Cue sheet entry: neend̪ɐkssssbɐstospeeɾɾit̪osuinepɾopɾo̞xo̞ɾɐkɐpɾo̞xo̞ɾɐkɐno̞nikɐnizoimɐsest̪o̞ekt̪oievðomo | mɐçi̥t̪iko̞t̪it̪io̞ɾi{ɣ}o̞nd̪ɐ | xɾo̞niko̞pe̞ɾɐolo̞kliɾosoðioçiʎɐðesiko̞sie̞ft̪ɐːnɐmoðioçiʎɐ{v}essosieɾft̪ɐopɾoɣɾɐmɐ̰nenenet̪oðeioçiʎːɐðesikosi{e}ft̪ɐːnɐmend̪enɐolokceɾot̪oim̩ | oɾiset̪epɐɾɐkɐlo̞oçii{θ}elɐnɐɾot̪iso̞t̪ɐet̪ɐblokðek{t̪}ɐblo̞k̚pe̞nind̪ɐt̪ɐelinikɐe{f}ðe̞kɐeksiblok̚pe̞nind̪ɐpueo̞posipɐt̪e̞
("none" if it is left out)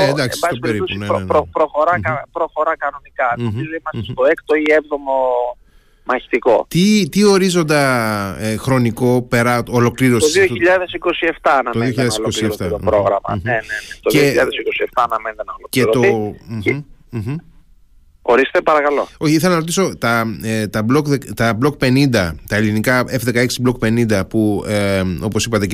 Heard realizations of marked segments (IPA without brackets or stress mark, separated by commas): z, ð, e, θ, t̪, f